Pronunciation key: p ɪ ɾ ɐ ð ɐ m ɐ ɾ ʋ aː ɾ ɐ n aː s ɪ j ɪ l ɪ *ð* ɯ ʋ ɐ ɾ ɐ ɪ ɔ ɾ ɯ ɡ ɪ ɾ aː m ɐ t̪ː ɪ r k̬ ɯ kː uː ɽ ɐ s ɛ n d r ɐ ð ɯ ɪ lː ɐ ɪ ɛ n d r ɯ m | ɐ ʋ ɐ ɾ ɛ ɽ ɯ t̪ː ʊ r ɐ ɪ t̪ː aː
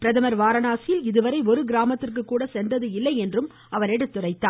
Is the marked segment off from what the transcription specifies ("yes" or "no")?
no